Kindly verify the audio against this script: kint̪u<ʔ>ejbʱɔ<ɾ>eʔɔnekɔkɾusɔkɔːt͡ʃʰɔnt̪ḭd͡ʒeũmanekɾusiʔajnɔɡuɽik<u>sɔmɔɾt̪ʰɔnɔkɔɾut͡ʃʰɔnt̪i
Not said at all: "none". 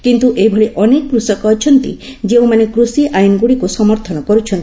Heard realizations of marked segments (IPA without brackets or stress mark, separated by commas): ʔ, ɭ, u